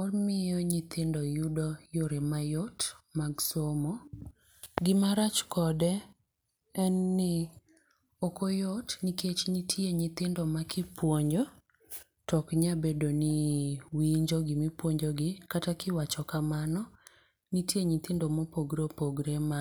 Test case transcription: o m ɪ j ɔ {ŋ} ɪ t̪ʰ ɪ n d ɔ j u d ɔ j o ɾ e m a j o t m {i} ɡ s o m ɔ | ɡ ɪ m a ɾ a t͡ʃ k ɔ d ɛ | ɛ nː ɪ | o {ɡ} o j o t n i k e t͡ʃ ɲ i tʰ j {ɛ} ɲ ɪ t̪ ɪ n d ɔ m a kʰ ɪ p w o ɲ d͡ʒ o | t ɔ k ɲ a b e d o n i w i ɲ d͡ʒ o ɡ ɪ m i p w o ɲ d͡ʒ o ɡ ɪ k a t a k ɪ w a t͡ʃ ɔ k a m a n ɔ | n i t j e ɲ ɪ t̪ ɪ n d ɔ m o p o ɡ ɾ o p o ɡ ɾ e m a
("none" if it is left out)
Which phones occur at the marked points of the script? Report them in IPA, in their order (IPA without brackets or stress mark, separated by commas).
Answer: ɲ, a, k, e